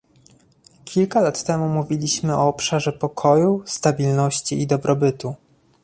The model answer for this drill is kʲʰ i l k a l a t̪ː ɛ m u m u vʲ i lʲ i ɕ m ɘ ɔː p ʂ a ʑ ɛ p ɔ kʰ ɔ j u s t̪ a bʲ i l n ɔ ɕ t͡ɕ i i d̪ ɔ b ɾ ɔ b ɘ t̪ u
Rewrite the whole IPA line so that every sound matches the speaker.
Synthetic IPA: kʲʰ i l k a l a t̪ː ɛ m u m u vʲ i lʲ i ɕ m ɘ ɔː p ʂ a ʐ ɛ p ɔ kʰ ɔ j u s t̪ a bʲ i l n ɔ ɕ t͡ɕ i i d̪ ɔ b ɾ ɔ b ɘ t̪ u

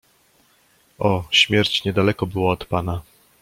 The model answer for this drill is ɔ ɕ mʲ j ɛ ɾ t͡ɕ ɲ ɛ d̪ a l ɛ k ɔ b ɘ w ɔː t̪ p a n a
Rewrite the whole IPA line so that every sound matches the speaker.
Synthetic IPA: ɔ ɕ mʲ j ɛ ɾ t͡ɕ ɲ ɛ d̪ a l ɛ k ɔ b ɘ w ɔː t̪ p a n a

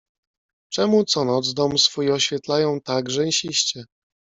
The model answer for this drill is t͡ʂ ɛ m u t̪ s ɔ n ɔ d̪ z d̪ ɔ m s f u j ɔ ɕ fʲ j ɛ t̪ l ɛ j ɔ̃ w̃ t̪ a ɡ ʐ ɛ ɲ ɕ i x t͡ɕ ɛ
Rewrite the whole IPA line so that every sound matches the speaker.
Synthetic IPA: t͡ʂ ɛ m u t̪ s ɔ n ɔ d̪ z d̪ ɔ m s f u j ɔ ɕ fʲ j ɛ t̪ l a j ɔ̃ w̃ t̪ a ɡ ʐ ɛ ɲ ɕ i ɕ t͡ɕ ɛ

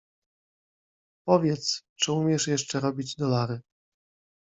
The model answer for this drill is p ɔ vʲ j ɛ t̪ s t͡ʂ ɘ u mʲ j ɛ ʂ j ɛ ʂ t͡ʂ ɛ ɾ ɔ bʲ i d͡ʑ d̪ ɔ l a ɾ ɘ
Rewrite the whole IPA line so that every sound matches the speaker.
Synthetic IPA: p ɔ vʲ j ɛ t̪ s t͡ʂ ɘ u mʲ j ɛ ʂ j ɛ ʂ t͡ʂ ɛ ɾ ɔ bʲ i d͡ʑ d̪ ɔ l a ɾ ɘ

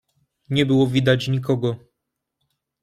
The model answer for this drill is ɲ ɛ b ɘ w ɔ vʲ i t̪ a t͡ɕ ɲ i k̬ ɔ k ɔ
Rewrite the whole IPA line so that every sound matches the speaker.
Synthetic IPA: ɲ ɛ b ɘ w ɔ vʲ i d̪ a t͡ɕ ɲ i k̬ ɔ ɡ ɔ

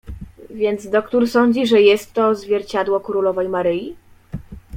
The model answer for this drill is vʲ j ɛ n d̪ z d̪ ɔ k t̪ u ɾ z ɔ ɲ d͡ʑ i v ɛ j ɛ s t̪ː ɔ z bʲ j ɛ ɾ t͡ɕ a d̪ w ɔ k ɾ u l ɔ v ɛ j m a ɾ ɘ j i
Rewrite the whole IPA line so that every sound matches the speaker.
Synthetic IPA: vʲ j ɛ n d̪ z d̪ ɔ k t̪ u ɾ s ɔ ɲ d͡ʑ i ʐ ɛ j ɛ s t̪ː ɔ z vʲ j ɛ ɾ t͡ɕ a d̪ w ɔ k ɾ u l ɔ v ɛ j m a ɾ ɘ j i

